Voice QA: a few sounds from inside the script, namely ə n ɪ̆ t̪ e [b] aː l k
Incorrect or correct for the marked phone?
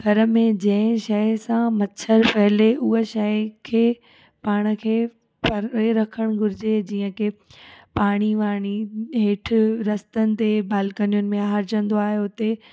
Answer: correct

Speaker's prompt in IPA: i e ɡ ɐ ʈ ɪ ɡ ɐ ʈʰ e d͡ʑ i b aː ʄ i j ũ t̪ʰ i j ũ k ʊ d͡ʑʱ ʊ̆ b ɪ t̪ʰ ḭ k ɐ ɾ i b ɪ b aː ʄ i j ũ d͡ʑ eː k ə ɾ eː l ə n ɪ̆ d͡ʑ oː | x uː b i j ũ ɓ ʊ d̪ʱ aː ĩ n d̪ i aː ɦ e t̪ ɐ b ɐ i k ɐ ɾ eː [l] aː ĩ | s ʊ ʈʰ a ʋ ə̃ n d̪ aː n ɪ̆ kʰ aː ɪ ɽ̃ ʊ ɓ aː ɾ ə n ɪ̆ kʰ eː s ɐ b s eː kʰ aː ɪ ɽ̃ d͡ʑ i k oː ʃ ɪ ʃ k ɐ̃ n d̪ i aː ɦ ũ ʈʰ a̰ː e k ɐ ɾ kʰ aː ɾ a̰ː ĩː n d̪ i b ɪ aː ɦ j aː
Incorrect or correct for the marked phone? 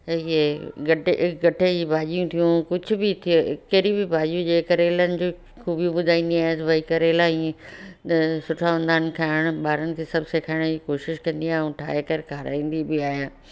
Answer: correct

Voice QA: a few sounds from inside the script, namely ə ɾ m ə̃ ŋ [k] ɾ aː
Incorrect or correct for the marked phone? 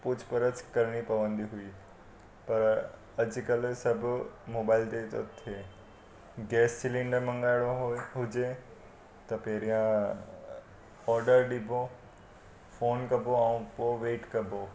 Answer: incorrect: ɡ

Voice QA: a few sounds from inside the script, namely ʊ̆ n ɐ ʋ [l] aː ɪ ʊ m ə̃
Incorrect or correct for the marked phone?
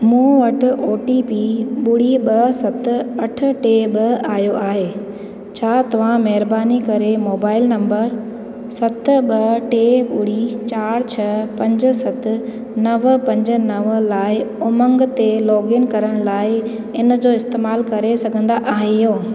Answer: correct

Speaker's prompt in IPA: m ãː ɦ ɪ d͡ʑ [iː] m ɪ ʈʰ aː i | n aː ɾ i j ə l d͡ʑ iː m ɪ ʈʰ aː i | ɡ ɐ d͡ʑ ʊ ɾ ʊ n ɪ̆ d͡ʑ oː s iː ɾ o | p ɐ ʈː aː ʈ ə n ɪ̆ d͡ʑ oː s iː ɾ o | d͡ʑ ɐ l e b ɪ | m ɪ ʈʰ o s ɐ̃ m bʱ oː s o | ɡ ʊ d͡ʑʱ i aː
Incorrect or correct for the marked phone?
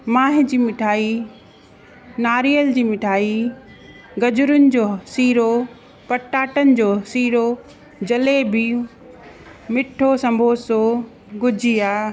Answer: correct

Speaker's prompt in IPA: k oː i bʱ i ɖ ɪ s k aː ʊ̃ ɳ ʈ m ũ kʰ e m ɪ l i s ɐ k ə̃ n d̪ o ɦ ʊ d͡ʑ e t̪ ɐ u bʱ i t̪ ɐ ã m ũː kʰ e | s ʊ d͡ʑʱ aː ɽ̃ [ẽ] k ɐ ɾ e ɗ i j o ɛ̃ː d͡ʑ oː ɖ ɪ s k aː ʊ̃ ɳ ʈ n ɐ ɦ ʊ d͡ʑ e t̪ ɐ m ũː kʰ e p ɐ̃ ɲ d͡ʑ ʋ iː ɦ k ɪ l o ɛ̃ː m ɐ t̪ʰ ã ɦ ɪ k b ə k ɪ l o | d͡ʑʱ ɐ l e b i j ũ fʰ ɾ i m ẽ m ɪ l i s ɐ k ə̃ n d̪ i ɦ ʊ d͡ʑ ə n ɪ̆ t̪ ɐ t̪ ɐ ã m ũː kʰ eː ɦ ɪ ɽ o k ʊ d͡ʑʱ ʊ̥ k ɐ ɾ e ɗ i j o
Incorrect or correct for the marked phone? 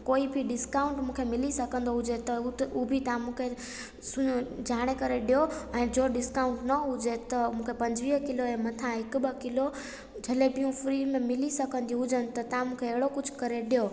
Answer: incorrect: e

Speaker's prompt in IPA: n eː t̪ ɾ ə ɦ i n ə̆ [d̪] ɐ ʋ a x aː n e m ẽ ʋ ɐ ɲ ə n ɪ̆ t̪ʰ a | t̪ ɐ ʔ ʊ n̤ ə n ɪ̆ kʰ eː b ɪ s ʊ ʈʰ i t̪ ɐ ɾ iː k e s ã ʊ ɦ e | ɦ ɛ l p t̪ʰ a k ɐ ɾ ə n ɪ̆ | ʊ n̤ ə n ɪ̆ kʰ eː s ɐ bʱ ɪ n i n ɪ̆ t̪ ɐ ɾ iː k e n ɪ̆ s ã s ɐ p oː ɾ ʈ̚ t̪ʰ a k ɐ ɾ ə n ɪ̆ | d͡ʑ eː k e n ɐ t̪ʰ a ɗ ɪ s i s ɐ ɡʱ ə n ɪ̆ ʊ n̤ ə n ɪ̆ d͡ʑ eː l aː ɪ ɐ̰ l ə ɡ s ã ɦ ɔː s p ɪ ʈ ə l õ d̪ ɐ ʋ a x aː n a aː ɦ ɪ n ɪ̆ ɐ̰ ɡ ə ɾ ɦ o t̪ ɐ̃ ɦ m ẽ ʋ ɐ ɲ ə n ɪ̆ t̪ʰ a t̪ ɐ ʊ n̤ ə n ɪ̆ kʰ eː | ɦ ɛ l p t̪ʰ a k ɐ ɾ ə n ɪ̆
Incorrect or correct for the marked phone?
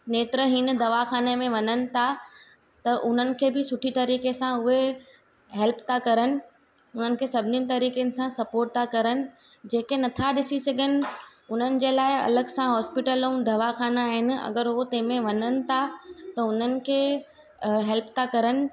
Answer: correct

